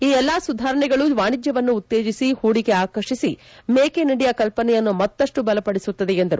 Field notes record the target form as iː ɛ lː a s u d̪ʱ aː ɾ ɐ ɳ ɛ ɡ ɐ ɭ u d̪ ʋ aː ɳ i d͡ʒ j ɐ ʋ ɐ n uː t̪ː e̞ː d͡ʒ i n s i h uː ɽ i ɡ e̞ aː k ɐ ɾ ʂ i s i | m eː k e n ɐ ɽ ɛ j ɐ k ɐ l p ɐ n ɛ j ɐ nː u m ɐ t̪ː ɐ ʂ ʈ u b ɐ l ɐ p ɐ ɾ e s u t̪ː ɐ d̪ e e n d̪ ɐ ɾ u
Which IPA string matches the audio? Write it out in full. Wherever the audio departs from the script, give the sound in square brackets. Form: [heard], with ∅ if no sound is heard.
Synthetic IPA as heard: iː ɛ lː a s u d̪ʱ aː ɾ ɐ ɳ ɛ ɡ ɐ ɭ u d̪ ʋ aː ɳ i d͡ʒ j ɐ ʋ ɐ [nː] uː t̪ː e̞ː d͡ʒ i [∅] s i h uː ɽ i ɡ e̞ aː k ɐ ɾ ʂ i s i | m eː k e n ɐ ɽ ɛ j ɐ k ɐ l p ɐ n ɛ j ɐ nː u m ɐ t̪ː ɐ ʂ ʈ u b ɐ l ɐ p ɐ [ɽ] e s u t̪ː ɐ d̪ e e n d̪ ɐ ɾ u